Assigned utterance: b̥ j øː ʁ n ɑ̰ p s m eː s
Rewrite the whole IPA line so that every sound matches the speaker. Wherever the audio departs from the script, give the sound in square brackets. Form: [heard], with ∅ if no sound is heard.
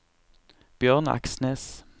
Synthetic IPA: b̥ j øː ʁ n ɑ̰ [k] s [n] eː s